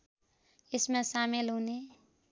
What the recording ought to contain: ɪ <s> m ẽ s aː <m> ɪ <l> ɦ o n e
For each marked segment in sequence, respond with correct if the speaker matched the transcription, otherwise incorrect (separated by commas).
correct, correct, correct